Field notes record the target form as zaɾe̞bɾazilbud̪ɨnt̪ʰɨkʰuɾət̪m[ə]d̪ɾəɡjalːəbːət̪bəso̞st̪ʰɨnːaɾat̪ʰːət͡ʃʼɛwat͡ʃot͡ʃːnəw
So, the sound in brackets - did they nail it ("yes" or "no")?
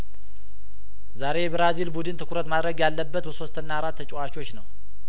no